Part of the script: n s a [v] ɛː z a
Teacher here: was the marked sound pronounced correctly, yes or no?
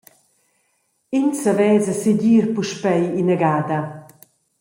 yes